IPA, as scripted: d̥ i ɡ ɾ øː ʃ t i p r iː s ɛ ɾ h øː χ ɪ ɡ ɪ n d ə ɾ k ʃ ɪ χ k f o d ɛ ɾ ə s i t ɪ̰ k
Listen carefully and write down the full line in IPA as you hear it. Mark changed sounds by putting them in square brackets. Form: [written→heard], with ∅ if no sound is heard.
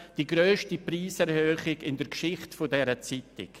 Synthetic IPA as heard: d̥ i ɡ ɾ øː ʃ t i p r iː s ɛ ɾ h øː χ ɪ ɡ ɪ n d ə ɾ k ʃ ɪ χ [k→t] f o d ɛ ɾ ə [s→t͡s] i t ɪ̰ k